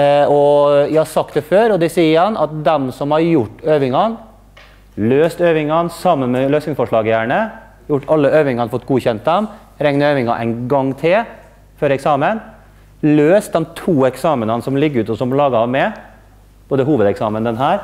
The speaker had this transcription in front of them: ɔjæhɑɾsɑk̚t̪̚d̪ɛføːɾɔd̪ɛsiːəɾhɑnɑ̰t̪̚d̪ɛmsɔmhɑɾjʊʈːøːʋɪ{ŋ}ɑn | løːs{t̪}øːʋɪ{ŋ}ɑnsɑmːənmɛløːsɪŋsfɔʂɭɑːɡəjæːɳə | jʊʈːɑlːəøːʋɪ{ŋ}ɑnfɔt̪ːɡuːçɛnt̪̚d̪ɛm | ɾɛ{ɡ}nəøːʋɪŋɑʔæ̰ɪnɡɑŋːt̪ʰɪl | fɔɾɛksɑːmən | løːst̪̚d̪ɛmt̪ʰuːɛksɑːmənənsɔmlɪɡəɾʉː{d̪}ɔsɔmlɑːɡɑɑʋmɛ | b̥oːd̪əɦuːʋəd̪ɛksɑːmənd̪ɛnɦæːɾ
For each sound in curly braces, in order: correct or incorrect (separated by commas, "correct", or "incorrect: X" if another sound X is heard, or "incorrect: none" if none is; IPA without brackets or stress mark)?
correct, correct, correct, correct, incorrect: ŋ, incorrect: t̪